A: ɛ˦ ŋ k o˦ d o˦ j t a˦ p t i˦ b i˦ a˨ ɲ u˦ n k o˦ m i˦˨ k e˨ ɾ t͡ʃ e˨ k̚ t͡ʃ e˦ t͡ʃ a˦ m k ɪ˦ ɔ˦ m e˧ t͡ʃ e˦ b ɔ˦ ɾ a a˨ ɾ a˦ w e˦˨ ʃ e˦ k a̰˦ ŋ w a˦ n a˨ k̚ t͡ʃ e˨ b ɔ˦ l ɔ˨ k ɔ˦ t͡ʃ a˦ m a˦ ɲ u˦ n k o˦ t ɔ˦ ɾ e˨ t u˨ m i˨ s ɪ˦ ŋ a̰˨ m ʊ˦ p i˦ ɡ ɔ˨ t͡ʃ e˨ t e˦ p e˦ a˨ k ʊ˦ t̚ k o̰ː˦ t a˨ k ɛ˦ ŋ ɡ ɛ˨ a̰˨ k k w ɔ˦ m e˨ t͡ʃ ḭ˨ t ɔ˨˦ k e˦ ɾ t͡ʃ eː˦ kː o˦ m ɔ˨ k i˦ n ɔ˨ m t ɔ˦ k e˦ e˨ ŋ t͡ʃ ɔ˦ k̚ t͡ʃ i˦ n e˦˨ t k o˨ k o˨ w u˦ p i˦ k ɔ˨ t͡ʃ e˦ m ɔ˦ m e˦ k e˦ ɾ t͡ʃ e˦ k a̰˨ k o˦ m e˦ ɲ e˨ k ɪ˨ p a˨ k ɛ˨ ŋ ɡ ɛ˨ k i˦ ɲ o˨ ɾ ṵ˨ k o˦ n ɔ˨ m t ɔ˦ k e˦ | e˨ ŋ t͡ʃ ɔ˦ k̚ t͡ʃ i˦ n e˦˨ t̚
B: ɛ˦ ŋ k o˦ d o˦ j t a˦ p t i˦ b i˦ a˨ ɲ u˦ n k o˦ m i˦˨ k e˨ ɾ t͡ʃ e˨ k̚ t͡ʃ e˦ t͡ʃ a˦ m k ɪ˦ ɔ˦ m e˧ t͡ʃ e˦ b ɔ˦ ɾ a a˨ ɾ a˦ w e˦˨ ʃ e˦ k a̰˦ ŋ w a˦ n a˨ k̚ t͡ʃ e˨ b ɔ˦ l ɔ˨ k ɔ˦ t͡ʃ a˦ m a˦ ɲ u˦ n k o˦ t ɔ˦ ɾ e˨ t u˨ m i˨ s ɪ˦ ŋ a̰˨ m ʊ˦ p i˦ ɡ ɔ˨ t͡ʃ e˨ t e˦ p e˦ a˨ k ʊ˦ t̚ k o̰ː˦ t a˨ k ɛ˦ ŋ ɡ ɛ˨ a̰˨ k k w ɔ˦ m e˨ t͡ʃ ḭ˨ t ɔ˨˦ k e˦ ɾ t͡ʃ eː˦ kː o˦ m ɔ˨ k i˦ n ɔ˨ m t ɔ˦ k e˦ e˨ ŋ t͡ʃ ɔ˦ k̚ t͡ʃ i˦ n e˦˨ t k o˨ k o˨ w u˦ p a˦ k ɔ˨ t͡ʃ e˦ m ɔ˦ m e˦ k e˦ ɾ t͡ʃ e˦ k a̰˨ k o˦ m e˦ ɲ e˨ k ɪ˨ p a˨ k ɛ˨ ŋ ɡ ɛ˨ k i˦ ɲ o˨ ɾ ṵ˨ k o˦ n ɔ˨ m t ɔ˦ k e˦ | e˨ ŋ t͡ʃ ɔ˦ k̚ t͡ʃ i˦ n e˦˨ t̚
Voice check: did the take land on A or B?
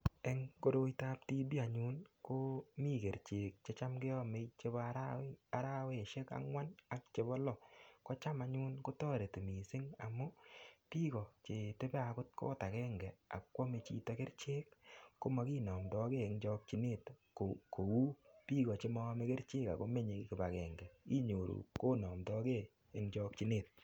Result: A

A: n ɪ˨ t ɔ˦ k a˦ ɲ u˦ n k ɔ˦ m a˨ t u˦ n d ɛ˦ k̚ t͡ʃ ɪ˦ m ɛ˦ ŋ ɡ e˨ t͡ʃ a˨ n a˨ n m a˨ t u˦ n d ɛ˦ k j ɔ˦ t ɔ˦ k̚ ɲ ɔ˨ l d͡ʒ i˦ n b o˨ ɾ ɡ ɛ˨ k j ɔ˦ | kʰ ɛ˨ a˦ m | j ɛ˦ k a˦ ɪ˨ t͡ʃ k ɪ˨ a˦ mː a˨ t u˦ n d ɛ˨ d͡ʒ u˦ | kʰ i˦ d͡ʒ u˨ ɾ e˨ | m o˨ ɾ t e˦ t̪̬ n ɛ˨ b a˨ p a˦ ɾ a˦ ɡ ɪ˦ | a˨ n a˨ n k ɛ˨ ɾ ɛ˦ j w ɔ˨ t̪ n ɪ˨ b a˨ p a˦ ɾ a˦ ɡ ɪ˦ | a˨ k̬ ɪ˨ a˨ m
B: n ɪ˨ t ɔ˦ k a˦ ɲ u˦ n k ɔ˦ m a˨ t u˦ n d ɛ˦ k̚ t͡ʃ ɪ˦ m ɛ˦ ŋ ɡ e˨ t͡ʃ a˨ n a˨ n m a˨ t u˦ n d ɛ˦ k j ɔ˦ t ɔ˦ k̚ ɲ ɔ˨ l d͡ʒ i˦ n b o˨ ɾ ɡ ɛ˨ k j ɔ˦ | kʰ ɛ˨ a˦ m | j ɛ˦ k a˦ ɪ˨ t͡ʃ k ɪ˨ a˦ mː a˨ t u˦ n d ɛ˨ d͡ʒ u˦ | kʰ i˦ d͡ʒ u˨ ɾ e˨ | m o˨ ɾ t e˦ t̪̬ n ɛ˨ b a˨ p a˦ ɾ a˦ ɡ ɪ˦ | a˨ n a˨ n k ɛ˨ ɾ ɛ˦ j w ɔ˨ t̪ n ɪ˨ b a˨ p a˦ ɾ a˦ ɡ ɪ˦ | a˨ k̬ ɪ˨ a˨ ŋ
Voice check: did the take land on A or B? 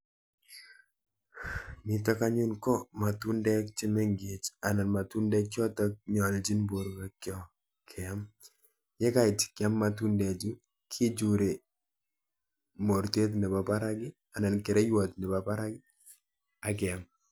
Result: A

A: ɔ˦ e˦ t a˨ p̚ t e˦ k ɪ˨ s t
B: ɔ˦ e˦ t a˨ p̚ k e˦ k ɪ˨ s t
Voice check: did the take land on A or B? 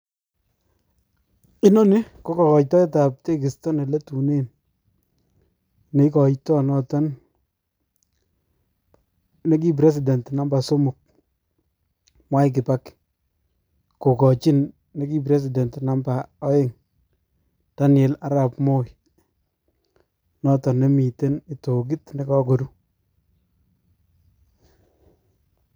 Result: A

